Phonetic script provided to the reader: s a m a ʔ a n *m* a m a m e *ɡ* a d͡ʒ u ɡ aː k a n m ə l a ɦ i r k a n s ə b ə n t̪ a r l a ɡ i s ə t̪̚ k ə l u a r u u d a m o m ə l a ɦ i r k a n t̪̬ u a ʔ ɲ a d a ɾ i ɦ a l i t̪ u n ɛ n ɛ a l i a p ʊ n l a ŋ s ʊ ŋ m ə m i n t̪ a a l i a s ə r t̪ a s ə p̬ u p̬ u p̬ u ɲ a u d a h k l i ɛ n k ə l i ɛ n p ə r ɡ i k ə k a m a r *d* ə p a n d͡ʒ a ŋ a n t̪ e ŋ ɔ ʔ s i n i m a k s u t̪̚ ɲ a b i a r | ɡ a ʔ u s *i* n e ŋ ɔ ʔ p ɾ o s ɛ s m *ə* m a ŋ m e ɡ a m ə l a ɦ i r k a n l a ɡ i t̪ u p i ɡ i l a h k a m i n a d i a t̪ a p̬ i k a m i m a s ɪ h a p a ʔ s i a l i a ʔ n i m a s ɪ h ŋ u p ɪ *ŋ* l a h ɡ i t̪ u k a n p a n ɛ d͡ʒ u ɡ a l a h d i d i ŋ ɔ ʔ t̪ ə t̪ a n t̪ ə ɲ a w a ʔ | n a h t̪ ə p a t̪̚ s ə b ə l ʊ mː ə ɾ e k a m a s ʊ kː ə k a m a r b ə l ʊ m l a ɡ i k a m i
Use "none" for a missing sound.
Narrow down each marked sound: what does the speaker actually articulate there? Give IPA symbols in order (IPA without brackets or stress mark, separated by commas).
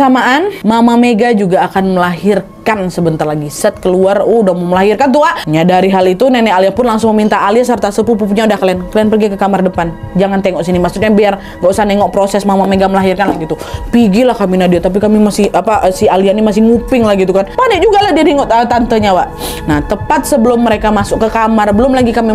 m, ɡ, d, a, a, ŋ